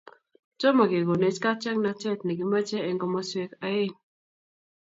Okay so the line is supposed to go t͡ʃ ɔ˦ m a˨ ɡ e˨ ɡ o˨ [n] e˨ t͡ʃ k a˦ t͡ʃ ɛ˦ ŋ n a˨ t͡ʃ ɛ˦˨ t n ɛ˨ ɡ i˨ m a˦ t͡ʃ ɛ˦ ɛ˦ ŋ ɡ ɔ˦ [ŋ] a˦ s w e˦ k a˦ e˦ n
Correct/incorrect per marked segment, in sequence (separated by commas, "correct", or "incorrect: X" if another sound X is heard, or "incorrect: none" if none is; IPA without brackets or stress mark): correct, incorrect: m